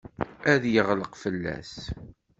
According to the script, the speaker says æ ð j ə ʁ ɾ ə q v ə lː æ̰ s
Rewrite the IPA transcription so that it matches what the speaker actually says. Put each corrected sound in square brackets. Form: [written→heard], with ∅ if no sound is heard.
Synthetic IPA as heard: æ ð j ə ʁ [ɾ→l] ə q [v→f] ə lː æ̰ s